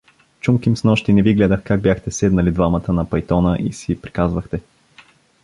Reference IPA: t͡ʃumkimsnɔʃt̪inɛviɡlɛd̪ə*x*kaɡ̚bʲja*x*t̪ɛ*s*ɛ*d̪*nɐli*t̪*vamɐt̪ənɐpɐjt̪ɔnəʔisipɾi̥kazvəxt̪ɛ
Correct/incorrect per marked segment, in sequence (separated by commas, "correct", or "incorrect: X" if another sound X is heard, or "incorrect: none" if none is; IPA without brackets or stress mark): correct, correct, correct, correct, incorrect: d̪